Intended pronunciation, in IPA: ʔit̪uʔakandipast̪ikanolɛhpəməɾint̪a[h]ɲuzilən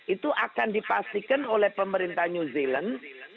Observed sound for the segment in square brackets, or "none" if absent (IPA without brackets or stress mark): h